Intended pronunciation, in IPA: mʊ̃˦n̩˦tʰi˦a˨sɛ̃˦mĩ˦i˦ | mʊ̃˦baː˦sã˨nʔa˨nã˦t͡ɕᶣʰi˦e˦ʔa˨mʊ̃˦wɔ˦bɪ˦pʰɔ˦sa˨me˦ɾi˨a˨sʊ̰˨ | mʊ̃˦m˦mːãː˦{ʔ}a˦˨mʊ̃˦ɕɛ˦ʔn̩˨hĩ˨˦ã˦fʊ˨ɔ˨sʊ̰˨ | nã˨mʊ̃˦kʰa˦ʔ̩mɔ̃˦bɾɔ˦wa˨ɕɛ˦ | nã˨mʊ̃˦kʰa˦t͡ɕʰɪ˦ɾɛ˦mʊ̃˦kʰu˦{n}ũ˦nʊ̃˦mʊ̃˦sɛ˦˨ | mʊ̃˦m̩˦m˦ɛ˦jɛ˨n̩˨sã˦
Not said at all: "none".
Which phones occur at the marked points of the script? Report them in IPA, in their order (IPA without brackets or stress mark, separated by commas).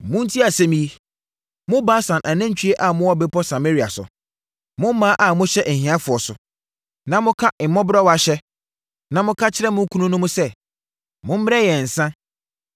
ʔ, n